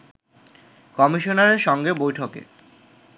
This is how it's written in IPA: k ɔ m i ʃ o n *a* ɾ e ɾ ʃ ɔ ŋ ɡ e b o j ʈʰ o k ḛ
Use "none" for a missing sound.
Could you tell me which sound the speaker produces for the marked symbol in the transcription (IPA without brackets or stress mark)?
a